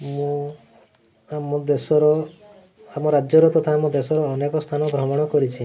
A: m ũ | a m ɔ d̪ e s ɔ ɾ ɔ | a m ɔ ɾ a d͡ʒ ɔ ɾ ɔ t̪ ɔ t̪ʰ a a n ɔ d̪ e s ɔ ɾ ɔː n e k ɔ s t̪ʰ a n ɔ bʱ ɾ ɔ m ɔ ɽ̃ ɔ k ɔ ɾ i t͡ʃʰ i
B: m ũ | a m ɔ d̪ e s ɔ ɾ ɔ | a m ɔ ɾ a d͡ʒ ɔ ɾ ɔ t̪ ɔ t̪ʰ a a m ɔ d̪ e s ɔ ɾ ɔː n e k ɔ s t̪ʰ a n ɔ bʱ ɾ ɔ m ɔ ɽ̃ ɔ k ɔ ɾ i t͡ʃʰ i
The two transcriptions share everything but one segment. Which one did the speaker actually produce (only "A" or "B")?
B